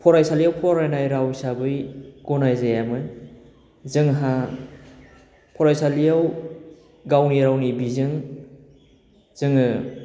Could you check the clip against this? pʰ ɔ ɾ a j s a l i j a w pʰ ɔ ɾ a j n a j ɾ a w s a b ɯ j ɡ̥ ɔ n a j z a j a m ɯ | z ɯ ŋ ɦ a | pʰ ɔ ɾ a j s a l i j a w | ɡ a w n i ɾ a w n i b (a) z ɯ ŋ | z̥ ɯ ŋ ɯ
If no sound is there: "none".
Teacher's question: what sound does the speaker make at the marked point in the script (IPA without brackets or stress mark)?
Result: i